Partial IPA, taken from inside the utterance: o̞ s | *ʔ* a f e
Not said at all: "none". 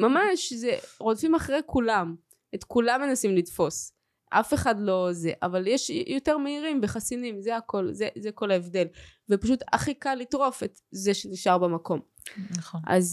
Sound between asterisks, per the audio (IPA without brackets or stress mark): ʔ